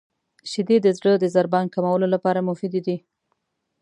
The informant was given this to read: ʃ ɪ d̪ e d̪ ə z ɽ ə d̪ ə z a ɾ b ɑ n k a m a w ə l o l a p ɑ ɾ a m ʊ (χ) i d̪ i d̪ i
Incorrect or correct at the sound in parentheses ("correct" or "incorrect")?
incorrect